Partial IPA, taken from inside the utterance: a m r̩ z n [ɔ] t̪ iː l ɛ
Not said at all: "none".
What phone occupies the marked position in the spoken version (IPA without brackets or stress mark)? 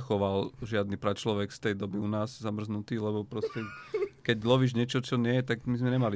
u